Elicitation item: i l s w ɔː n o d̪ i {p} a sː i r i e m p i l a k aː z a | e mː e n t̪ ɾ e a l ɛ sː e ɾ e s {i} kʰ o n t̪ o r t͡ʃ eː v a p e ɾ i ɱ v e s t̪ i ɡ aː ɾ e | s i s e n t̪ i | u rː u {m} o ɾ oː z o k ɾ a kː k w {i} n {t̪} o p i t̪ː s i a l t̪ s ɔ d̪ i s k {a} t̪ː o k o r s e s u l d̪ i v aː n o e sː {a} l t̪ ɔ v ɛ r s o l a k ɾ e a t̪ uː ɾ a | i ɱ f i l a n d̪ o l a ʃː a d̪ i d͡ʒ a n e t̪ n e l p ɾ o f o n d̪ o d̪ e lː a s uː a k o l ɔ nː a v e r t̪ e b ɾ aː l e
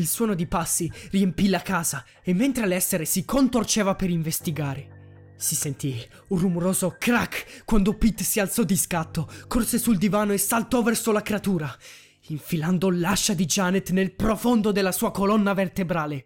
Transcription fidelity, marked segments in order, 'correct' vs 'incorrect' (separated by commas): correct, correct, correct, incorrect, incorrect, correct, correct